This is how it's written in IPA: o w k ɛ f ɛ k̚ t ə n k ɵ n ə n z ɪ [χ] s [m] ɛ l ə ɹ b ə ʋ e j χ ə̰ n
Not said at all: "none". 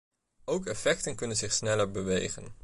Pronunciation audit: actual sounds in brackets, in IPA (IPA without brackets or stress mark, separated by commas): χ, n